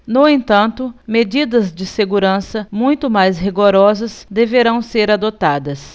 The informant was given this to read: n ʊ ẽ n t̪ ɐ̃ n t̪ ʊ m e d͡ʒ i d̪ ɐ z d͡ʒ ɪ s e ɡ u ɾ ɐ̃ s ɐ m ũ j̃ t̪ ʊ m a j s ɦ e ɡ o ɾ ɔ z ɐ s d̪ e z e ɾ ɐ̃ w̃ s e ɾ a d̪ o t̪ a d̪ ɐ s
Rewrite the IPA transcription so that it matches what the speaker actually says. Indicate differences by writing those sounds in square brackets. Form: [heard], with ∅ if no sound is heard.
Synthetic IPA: n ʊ ẽ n t̪ ɐ̃ n t̪ ʊ m e d͡ʒ i d̪ ɐ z d͡ʒ ɪ s e ɡ u ɾ ɐ̃ s ɐ m ũ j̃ t̪ ʊ m a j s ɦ [i] ɡ o ɾ ɔ z ɐ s d̪ e [v] e ɾ ɐ̃ w̃ s e ɾ a d̪ o t̪ a d̪ ɐ s

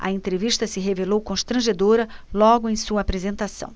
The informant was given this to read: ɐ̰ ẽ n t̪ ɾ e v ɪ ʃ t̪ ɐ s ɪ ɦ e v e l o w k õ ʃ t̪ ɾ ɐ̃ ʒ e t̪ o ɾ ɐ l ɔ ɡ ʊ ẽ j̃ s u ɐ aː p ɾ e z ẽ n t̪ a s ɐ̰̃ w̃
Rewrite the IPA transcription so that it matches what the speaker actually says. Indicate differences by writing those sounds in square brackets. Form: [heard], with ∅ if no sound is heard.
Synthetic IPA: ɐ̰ ẽ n t̪ ɾ e v [i] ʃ t̪ ɐ s ɪ ɦ e v e l o w k õ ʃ t̪ ɾ ɐ̃ ʒ e [d̪] o ɾ ɐ l ɔ ɡ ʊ ẽ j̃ s u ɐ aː p ɾ e z ẽ n t̪ a s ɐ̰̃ w̃

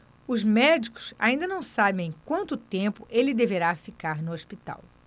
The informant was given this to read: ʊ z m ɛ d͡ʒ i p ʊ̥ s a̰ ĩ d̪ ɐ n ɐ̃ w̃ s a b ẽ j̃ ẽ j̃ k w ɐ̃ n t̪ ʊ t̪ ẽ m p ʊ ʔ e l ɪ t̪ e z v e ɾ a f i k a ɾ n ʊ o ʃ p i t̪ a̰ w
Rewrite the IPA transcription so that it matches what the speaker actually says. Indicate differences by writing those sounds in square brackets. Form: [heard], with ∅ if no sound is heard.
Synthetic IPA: ʊ z m ɛ d͡ʒ i [k] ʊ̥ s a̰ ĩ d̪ ɐ n ɐ̃ w̃ s a b ẽ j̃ ẽ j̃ k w ɐ̃ n t̪ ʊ t̪ ẽ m p ʊ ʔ e l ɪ [d̪] e [∅] v e ɾ a f i k a ɾ n ʊ o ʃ p i t̪ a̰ w

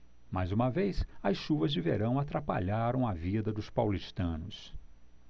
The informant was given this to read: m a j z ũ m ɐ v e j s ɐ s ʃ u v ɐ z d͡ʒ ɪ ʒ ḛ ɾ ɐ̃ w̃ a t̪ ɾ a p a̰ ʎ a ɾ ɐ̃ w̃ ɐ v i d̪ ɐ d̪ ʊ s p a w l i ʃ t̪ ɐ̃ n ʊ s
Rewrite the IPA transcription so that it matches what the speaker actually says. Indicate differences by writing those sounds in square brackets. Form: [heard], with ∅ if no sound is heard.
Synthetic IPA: m a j z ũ m ɐ v e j s ɐ s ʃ u v ɐ z d͡ʒ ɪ [v] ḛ ɾ ɐ̃ w̃ a t̪ ɾ a p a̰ ʎ a ɾ ɐ̃ w̃ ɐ v i d̪ ɐ d̪ ʊ s p a w l i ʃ t̪ ɐ̃ n ʊ s

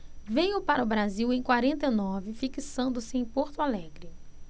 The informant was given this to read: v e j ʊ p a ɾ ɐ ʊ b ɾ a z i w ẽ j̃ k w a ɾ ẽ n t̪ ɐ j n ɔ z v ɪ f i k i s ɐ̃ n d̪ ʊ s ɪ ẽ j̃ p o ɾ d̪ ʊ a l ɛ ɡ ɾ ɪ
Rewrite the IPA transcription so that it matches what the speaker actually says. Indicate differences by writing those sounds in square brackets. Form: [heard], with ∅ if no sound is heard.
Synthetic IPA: v e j ʊ p a ɾ ɐ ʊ b ɾ a z i w ẽ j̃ k w a ɾ ẽ n t̪ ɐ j n ɔ [∅] v ɪ f i k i s ɐ̃ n d̪ ʊ s ɪ ẽ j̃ p o ɾ [t̪] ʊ a l ɛ ɡ ɾ ɪ

